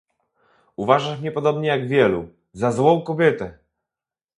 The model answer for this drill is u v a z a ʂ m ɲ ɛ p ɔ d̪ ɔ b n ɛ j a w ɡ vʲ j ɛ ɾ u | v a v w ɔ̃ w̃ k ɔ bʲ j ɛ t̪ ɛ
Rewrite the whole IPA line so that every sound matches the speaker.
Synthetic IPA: u v a ʐ a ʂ m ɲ ɛ p ɔ d̪ ɔ b ɲ ɛ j a ɡ vʲ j ɛ l u | z a z w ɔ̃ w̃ k ɔ bʲ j ɛ t̪ ɛ

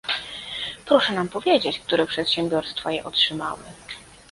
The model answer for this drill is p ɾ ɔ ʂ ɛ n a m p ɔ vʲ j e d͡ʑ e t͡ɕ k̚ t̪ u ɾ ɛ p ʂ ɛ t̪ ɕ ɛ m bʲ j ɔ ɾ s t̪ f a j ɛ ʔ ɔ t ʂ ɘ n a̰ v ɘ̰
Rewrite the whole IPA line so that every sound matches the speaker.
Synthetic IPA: p ɾ ɔ ʂ ɛ n a m p ɔ vʲ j e d͡ʑ e t͡ɕ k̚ t̪ u ɾ ɛ p ʂ ɛ t̪ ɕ ɛ m bʲ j ɔ ɾ s t̪ f a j ɛ ʔ ɔ t ʂ ɘ m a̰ w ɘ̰

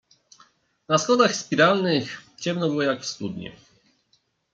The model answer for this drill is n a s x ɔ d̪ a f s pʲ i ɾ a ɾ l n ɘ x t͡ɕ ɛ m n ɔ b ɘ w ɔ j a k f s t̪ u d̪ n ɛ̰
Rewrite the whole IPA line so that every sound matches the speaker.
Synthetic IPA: n a s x ɔ d̪ a x s pʲ i ɾ a l n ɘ x t͡ɕ ɛ m n ɔ b ɘ w ɔ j a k f s t̪ u d̪ ɲ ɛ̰

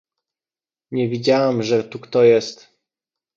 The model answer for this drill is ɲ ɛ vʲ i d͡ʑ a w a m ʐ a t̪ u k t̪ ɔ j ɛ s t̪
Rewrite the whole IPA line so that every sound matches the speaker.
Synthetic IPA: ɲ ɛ vʲ i d͡ʑ a w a m ʐ ɛ t̪ u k t̪ ɔ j ɛ s t̪

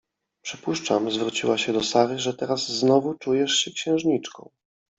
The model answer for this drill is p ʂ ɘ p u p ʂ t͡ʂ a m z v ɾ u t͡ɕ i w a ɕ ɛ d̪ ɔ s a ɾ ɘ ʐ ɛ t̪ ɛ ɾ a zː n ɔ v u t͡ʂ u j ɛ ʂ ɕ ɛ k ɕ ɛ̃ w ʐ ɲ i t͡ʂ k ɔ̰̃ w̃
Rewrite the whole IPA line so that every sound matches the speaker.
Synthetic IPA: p ʂ ɘ p u ʂ t͡ʂ a m z v ɾ u t͡ɕ i w a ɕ ɛ d̪ ɔ s a ɾ ɘ ʐ ɛ t̪ ɛ ɾ a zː n ɔ v u t͡ʂ u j ɛ ʂ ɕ ɛ k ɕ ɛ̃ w ʐ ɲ i t͡ʂ k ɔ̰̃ w̃

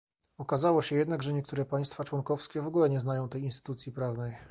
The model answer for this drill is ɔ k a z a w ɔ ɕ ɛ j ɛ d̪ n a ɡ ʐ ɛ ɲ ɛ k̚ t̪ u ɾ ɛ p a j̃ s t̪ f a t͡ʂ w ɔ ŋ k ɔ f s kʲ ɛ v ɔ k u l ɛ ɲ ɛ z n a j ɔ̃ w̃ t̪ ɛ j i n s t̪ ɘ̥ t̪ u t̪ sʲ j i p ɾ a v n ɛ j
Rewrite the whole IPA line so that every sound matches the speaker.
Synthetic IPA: ɔ k a z a w ɔ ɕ ɛ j ɛ d̪ n a ɡ ʐ ɛ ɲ ɛ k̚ t̪ u ɾ ɛ p a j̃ s t̪ f a t͡ʂ w ɔ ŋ k ɔ f s kʲ ɛ v ɔ ɡ u l ɛ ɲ ɛ z n a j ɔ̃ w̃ t̪ ɛ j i n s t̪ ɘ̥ t̪ u t̪ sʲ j i p ɾ a v n ɛ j

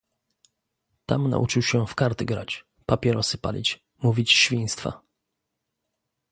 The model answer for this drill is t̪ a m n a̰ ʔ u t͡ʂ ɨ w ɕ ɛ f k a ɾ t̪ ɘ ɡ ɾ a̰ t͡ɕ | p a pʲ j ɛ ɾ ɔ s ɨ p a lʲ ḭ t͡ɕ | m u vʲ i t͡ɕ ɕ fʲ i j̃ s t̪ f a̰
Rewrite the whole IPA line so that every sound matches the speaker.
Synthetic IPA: t̪ a m n a̰ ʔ u t͡ʂ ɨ w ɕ ɛ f k a ɾ t̪ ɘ ɡ ɾ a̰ t͡ɕ | p a pʲ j ɛ ɾ ɔ s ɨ p a lʲ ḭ t͡ɕ | m u vʲ i t͡ɕ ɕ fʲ i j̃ s t̪ f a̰

